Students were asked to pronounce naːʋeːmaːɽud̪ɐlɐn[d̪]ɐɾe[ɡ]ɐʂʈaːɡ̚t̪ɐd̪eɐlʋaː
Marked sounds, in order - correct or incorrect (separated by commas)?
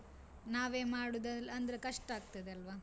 correct, incorrect